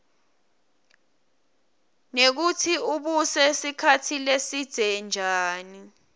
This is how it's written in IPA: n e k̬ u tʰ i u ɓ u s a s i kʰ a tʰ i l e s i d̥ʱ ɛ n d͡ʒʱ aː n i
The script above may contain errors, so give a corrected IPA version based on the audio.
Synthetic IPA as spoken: n e k̬ u tʰ i u ɓ u s ɛ s i kʰ a tʰ i l e s i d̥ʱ ɛ n d͡ʒʱ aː n i

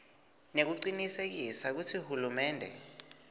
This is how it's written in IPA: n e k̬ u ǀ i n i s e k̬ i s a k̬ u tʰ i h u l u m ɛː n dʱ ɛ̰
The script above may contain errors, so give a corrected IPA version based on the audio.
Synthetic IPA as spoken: n e k̬ u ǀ i n i s e k̬ i s a k̬ u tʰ i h u l u m ɛː n dʱ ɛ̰

